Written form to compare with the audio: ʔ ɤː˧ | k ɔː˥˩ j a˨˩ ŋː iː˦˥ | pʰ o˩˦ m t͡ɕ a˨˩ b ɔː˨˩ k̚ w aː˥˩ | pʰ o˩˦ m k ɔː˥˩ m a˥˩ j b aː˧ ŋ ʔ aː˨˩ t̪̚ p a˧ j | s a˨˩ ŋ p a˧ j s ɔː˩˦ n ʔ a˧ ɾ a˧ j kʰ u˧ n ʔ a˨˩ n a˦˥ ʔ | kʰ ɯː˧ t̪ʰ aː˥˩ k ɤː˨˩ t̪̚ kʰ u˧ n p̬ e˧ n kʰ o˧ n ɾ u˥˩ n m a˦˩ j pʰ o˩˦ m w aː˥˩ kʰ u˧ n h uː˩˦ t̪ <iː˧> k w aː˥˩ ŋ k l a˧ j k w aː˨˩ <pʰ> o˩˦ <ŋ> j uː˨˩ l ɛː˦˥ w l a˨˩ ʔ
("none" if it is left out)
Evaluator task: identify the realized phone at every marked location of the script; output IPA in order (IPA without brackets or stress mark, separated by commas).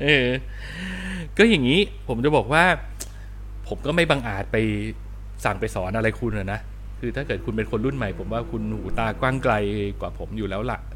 aː˧, pʰ, m